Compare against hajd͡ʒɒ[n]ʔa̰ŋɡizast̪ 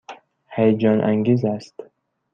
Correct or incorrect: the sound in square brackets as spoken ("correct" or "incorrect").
correct